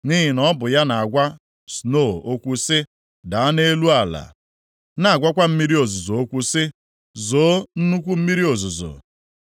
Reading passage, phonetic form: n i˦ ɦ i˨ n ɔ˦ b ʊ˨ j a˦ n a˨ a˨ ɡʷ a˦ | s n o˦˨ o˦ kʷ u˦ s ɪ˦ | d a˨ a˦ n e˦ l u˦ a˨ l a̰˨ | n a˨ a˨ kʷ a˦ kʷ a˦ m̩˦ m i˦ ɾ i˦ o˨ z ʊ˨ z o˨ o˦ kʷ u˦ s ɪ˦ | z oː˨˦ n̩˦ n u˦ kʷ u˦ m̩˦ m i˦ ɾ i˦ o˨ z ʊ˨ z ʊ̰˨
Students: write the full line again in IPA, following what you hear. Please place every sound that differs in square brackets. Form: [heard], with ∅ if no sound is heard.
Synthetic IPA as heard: n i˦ ɦ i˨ n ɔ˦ b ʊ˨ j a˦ n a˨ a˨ ɡʷ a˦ | s n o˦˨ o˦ kʷ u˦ s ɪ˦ | d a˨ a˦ n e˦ l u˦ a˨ l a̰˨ | n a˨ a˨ [ɡʷ] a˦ kʷ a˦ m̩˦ m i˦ ɾ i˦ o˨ z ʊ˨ z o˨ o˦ kʷ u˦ s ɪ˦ | z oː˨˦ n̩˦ n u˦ kʷ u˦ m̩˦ m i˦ ɾ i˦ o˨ z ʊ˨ z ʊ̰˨